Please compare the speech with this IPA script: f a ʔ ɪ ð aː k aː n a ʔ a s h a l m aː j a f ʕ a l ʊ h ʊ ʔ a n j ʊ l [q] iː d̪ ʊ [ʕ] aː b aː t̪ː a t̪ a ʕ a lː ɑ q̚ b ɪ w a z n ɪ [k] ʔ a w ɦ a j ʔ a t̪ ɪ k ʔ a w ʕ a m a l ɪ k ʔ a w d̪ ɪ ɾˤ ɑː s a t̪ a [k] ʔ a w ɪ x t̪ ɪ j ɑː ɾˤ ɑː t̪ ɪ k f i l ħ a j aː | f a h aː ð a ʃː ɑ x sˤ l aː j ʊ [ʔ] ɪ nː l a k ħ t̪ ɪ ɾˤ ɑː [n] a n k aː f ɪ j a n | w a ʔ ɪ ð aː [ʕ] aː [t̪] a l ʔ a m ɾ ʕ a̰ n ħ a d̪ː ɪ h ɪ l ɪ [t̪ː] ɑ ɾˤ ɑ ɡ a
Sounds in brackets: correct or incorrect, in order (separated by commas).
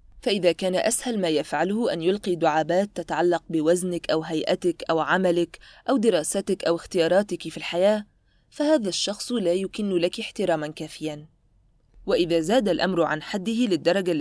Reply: correct, correct, correct, correct, incorrect, incorrect, incorrect, incorrect, incorrect